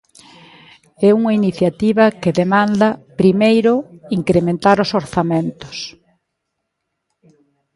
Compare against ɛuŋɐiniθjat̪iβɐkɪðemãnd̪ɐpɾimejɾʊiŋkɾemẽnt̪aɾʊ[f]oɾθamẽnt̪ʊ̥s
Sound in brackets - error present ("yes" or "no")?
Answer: yes